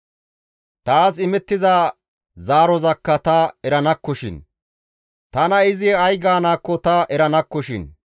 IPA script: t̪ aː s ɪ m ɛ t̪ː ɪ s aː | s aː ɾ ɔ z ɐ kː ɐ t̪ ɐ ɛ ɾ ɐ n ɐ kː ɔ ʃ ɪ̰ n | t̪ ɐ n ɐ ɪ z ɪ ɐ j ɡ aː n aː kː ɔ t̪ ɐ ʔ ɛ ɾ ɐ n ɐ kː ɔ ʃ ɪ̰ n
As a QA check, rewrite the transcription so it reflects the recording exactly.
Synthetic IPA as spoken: t̪ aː s ɪ m ɛ t̪ː ɪ z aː | z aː ɾ ɔ z ɐ kː ɐ t̪ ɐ ɛ ɾ ɐ n ɐ kː ɔ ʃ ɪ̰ n | t̪ ɐ n ɐ ɪ z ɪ ɐ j ɡ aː n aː kː ɔ t̪ ɐ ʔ ɛ ɾ ɐ n ɐ kː ɔ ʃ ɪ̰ n

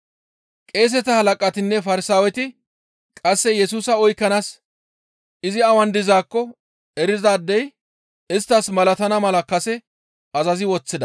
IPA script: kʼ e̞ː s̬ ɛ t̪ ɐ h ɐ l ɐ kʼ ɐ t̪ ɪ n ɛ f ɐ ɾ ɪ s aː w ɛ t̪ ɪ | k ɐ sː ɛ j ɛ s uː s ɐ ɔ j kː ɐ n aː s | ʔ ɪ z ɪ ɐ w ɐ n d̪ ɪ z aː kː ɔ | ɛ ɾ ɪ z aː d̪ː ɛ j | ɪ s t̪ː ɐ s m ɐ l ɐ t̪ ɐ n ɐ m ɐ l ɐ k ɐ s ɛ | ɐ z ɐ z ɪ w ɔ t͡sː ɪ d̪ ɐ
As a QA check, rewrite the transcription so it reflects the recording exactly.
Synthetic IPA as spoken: kʼ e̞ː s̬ ɛ t̪ ɐ h ɐ l ɐ kʼ ɐ t̪ ɪ nː ɛ f ɐ ɾ ɪ s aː w ɛ t̪ ɪ | kʼ ɐ sː ɛ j ɛ s uː s ɐ ɔ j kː ɐ n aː s | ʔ ɪ z ɪ ɐ w ɐ n d̪ ɪ z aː kː ɔ | ɛ ɾ ɪ z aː d̪ː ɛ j | ɪ s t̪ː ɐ s m ɐ l ɐ t̪ ɐ n ɐ m ɐ l ɐ k ɐ s ɛ | ɐ z ɐ z ɪ w ɔ t͡sː ɪ d̪ ɐ

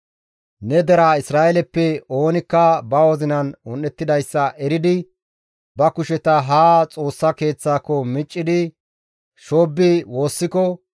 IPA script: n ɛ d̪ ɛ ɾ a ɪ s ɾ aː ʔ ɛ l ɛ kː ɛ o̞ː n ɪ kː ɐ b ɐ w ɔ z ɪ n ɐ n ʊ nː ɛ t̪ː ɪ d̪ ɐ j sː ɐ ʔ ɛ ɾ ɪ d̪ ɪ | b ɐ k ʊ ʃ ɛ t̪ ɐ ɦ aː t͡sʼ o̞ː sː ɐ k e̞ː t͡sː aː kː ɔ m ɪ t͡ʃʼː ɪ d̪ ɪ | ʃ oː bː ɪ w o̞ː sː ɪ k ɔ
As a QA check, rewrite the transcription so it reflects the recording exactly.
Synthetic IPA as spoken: n ɛ d̪ ɛ ɾ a ɪ s ɾ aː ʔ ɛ l ɛ pː ɛ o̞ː n ɪ kː ɐ b ɐ w ɔ z ɪ n ɐ n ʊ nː ɛ t̪ː ɪ d̪ ɐ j sː ɐ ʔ ɛ ɾ ɪ d̪ ɪ | b ɐ k ʊ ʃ ɛ t̪ ɐ ɦ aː t͡sʼ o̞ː sː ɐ k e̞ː t͡sː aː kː ɔ m ɪ t͡ʃʼː ɪ d̪ ɪ | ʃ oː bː ɪ w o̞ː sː ɪ k ɔ

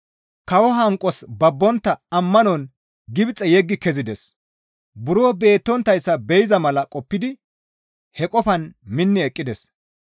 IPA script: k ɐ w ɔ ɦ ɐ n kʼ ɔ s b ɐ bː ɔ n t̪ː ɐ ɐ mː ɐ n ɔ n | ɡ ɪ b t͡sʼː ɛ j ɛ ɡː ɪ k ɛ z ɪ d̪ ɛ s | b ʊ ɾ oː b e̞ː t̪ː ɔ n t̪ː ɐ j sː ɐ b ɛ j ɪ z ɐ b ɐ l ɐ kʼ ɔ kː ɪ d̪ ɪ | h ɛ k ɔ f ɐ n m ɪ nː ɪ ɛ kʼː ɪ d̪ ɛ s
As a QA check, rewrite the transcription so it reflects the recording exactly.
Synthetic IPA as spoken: k ɐ w ɔ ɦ ɐ ŋ kʼ ɔ s b ɐ bː ɔ n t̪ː ɐ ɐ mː ɐ n ɔ n | ɡ ɪ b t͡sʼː ɛ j ɛ ɡː ɪ k ɛ z ɪ d̪ ɛ s | b ʊ ɾ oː b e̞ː t̪ː ɔ n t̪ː ɐ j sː ɐ b ɛ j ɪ z ɐ m ɐ l ɐ kʼ ɔ pː ɪ d̪ ɪ | h ɛ kʼ ɔ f ɐ n m ɪ nː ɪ ɛ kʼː ɪ d̪ ɛ s

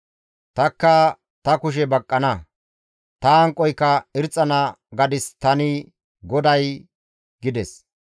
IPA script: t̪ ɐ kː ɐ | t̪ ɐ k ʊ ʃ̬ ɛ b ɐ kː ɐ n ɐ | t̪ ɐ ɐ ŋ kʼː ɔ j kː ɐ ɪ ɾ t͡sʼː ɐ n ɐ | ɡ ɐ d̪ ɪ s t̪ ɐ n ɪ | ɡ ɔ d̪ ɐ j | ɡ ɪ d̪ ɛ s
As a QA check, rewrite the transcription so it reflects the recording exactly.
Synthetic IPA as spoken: t̪ ɐ kː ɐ | t̪ ɐ k ʊ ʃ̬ ɛ b ɐ kʼː ɐ n ɐ | t̪ ɐ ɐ ŋ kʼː ɔ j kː ɐ ɪ ɾ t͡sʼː ɐ n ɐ | ɡ ɐ d̪ ɪ s t̪ ɐ n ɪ | ɡ ɔ d̪ ɐ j | ɡ ɪ d̪ ɛ s

